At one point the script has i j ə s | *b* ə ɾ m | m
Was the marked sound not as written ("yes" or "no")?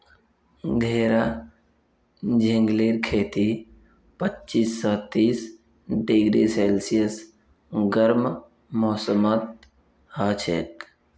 yes